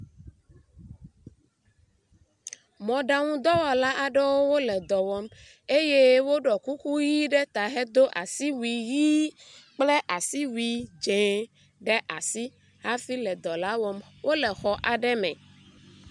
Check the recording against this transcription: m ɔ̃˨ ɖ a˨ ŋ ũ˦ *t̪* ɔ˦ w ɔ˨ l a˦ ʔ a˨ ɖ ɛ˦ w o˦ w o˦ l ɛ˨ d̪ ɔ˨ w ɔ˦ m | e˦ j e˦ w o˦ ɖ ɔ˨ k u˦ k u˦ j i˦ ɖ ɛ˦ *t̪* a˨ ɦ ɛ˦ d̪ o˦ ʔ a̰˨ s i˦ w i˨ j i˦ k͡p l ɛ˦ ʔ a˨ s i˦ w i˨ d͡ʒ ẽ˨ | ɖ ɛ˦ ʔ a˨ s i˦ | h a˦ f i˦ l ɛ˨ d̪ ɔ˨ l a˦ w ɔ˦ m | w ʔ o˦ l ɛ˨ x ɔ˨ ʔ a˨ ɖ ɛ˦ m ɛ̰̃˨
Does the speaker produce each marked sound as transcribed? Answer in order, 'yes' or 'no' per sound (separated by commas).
no, yes